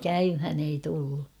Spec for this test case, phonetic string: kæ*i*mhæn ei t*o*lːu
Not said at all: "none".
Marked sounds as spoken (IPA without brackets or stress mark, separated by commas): y, u